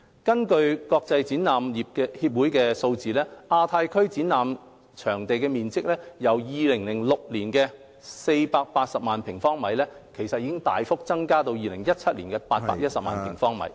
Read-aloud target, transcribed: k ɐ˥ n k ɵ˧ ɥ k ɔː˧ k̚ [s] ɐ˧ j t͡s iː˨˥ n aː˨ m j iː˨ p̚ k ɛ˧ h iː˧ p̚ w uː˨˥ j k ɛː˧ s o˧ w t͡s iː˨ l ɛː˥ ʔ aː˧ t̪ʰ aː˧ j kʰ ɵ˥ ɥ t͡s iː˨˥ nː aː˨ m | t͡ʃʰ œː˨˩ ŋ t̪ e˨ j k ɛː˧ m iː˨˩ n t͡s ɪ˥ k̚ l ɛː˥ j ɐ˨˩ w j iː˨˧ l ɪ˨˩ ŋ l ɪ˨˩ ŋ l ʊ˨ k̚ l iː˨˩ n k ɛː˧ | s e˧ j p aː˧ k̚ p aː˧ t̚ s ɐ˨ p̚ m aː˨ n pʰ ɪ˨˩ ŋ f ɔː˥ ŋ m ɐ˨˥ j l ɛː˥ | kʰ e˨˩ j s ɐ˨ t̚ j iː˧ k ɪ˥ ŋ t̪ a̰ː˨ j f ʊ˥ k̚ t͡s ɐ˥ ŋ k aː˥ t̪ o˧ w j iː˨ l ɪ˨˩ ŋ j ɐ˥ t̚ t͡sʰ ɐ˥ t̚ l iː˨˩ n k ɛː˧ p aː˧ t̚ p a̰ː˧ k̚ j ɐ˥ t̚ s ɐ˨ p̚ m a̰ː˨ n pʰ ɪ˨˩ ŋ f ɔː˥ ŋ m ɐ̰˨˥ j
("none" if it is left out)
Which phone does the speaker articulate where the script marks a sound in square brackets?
t͡s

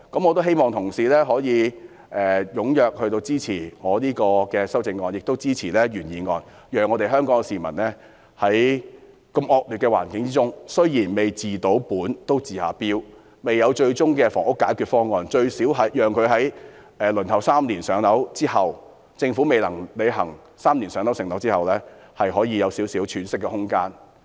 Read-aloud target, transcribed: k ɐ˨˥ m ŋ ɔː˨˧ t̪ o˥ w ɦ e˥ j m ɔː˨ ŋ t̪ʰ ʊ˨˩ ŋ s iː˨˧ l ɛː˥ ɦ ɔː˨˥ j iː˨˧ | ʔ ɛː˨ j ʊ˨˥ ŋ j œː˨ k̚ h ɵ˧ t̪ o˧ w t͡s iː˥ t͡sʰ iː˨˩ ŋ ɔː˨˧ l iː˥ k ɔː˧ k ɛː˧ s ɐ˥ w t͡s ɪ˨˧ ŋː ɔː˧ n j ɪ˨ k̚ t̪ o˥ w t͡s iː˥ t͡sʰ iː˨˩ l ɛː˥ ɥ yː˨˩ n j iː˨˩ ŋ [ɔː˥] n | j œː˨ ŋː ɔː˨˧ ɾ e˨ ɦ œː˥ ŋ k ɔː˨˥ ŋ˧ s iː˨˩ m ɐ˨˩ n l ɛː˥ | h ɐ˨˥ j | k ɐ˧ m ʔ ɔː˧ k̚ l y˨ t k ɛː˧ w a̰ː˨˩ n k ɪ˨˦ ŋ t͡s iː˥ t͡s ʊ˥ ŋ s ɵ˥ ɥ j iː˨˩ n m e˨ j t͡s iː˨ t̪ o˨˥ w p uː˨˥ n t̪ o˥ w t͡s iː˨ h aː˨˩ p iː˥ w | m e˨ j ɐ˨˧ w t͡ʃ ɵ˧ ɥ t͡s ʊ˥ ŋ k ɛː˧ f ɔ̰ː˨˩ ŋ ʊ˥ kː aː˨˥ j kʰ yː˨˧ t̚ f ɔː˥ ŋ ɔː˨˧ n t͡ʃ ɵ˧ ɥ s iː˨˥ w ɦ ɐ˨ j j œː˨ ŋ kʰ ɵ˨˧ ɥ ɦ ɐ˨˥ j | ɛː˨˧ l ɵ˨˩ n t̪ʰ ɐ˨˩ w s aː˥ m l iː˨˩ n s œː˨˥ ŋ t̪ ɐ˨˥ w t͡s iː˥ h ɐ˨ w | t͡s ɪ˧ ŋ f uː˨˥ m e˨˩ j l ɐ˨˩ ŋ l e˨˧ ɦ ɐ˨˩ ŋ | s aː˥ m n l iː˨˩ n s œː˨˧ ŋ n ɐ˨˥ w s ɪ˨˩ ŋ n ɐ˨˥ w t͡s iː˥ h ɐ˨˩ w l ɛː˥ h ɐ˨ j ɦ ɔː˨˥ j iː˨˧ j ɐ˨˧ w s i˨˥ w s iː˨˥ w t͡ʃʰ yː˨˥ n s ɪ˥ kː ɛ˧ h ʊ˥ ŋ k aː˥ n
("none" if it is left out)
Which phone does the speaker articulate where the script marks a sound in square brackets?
ɔː˧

